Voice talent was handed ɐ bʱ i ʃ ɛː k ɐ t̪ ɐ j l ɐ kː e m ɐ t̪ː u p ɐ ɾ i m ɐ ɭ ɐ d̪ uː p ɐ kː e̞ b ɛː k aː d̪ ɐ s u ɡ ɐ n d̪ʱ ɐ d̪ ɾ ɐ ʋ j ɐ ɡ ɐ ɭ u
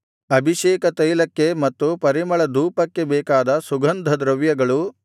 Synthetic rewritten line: ɐ bʱ i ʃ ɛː k ɐ t̪ ɐ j l ɐ kː e m ɐ t̪ː u p ɐ ɾ i m ɐ ɭ ɐ d̪ uː p ɐ kː e̞ b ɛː k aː d̪ ɐ s u ɡ ɐ n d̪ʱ ɐ d̪ ɾ ɐ ʋ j ɐ ɡ ɐ ɭ u